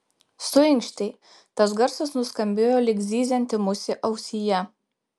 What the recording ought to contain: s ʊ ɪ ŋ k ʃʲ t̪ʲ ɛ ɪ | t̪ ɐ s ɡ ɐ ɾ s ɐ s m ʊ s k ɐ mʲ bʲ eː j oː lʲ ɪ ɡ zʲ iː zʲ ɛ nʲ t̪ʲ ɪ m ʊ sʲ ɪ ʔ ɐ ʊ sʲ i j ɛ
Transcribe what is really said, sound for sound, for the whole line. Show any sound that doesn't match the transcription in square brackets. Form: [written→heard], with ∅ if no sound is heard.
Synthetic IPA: s ʊ ɪ ŋ k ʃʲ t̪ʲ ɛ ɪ | t̪ ɐ s ɡ ɐ ɾ s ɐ s [m→n] ʊ s k ɐ mʲ bʲ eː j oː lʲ ɪ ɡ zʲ iː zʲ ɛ nʲ t̪ʲ ɪ m ʊ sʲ ɪ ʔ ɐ ʊ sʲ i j ɛ